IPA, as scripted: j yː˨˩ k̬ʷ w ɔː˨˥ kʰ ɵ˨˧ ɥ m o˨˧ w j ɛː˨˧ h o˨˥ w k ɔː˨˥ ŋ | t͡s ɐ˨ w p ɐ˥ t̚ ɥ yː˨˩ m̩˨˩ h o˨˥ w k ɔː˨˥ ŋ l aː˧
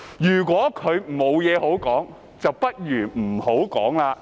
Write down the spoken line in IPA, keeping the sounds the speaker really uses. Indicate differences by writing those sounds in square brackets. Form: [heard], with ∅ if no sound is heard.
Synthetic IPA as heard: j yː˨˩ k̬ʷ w ɔː˨˥ kʰ ɵ˨˧ ɥ m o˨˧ w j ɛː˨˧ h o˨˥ w k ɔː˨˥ ŋ | t͡s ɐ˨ w p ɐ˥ t̚ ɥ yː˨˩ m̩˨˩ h o˨˥ w k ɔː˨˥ ŋ l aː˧